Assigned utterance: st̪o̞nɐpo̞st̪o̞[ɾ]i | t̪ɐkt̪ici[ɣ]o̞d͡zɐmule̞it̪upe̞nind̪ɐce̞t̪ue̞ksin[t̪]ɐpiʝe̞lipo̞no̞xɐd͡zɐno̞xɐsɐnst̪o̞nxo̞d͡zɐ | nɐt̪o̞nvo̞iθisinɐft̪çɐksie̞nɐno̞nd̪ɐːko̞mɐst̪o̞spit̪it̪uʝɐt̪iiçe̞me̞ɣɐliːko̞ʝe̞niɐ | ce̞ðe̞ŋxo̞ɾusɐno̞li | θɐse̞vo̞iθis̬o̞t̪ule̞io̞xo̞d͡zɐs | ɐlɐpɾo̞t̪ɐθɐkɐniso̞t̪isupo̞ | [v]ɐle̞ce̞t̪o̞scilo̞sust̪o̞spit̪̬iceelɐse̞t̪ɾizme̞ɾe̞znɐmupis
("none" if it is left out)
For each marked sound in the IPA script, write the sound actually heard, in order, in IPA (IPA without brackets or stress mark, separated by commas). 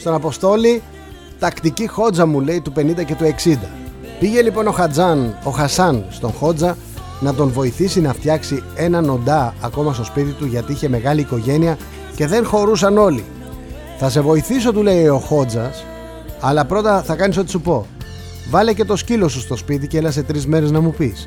l, x, d̪, v